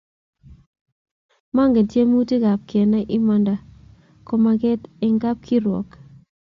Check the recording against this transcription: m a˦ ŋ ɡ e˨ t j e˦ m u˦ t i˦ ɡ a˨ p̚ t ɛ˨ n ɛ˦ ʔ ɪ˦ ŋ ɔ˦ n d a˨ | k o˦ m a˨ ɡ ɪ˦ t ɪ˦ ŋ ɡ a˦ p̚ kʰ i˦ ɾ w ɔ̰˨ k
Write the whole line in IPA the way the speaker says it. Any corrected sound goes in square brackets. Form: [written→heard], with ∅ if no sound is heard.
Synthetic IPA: m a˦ ŋ ɡ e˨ t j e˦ m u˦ t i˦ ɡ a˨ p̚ [t→k] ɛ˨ n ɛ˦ ʔ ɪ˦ [ŋ→m] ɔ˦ n d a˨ | k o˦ m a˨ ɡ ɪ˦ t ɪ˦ ŋ ɡ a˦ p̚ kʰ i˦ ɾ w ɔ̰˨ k